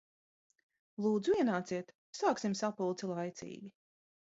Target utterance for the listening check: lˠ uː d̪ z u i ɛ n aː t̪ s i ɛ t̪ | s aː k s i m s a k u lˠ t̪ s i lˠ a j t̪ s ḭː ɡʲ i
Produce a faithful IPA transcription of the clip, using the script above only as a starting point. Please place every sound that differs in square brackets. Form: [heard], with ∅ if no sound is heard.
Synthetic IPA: lˠ uː d̪ z u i ɛ n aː t̪ s i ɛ t̪ | s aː k s i m s a [p] u lˠ t̪ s i lˠ a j t̪ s ḭː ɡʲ i